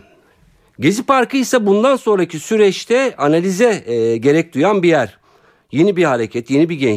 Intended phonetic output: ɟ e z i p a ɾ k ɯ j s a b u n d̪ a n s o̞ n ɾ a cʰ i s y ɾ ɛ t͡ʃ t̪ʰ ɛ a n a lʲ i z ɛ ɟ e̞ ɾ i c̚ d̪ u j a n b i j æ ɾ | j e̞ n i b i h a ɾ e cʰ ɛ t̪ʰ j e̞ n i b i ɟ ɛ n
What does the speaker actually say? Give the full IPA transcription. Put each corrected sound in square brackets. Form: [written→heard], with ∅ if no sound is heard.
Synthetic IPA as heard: ɟ e z i p a ɾ k ɯ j s a b u n d̪ a n s o̞ n ɾ a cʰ i s y ɾ ɛ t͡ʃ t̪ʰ ɛ a n a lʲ i z ɛ ɟ e̞ ɾ [i→ɛ] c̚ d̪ u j a n b i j æ ɾ | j e̞ n i b i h a ɾ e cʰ ɛ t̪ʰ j e̞ n i b i ɟ ɛ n